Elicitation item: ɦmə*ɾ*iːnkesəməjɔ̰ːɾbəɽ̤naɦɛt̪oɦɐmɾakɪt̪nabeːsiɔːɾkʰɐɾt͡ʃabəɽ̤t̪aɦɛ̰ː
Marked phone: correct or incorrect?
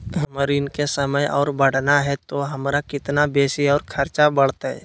correct